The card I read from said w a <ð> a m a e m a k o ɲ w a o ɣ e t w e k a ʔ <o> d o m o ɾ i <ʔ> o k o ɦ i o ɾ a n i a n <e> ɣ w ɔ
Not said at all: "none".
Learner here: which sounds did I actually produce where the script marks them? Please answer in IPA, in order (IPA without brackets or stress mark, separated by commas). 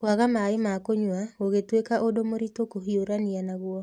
ɣ, o, t, a